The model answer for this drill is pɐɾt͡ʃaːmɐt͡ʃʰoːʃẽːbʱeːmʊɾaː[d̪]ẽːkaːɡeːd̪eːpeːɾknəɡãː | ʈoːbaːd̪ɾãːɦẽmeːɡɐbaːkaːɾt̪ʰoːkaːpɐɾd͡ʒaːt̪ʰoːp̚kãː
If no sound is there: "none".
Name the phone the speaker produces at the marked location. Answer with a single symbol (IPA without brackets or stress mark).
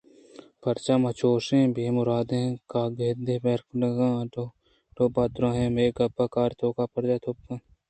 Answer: d̪